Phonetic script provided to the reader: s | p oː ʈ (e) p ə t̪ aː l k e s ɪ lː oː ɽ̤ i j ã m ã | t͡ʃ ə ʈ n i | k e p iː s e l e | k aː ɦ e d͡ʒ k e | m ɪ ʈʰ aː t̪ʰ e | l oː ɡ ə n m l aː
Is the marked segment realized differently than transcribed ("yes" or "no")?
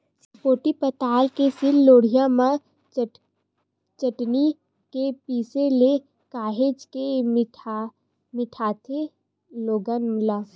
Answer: yes